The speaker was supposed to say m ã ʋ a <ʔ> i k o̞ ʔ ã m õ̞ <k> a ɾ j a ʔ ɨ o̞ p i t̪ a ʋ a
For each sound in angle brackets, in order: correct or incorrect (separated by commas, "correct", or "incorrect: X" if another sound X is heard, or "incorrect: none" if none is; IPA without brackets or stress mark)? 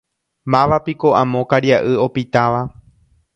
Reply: incorrect: p, correct